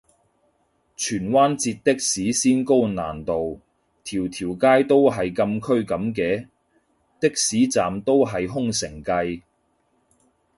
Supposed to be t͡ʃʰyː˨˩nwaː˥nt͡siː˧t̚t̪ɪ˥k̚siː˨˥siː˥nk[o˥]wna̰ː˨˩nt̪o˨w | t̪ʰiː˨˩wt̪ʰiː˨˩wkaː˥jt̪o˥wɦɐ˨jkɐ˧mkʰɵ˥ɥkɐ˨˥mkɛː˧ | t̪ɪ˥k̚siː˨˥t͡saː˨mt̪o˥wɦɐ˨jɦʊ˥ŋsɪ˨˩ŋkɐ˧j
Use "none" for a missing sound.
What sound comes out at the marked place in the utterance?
o˥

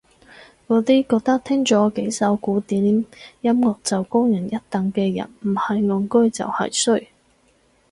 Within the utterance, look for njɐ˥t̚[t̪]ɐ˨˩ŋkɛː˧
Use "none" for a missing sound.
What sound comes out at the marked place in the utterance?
t̪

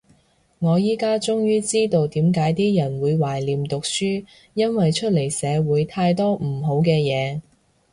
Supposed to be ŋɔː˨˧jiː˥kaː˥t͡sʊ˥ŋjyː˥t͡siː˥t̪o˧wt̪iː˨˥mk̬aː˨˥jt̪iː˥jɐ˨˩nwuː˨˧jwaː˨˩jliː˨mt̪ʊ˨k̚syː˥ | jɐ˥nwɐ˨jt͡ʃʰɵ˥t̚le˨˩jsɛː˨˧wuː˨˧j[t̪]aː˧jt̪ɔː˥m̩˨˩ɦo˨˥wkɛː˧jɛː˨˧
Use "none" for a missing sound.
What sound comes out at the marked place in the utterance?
t̪ʰ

